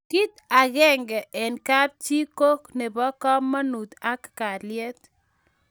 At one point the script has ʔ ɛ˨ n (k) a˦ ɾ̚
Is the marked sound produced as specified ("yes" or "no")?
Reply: yes